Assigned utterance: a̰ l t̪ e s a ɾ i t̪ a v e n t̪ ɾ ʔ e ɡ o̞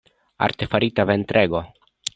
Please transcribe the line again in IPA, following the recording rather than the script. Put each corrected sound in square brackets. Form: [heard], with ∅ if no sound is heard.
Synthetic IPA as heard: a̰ [ɾ] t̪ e [f] a ɾ i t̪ a v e n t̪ ɾ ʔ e ɡ o̞